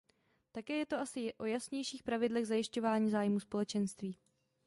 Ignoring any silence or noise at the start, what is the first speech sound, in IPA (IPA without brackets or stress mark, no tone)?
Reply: t̪